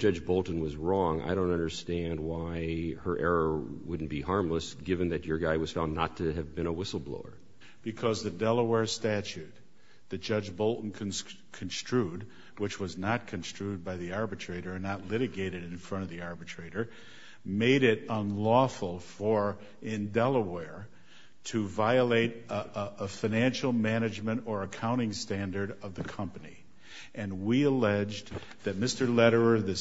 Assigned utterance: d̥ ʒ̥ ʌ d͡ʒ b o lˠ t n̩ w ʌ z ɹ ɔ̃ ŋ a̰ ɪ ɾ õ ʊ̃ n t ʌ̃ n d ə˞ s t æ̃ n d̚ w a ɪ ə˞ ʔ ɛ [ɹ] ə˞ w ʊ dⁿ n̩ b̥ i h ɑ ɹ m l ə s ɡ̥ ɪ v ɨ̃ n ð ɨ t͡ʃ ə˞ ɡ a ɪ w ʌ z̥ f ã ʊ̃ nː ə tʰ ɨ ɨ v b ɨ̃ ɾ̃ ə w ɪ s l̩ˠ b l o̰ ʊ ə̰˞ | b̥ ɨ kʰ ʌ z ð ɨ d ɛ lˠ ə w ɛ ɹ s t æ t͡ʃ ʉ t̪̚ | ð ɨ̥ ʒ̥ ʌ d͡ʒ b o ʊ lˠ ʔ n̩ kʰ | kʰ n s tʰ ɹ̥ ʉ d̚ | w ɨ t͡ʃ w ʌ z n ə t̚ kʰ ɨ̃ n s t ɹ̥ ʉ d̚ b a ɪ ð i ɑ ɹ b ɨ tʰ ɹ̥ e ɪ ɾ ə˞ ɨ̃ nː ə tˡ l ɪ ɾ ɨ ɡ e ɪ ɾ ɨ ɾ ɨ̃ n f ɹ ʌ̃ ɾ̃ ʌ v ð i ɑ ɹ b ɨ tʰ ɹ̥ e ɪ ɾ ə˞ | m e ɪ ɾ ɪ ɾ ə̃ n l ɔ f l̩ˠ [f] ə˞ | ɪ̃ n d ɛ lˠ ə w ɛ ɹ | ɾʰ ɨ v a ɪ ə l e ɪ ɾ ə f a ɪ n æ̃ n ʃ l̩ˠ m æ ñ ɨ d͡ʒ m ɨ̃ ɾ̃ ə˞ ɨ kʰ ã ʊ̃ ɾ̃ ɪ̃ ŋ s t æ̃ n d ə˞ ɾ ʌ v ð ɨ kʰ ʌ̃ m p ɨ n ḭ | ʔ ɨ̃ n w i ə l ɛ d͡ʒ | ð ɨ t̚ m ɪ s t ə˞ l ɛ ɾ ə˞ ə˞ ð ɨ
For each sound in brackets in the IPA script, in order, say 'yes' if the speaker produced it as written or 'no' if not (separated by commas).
yes, yes